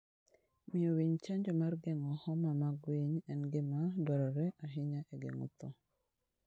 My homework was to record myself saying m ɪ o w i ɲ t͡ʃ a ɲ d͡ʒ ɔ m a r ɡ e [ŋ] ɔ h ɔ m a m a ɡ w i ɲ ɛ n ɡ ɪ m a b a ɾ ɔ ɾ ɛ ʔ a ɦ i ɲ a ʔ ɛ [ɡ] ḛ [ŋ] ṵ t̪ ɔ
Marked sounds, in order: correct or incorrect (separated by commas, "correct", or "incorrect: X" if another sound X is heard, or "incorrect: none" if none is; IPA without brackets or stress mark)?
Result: correct, correct, correct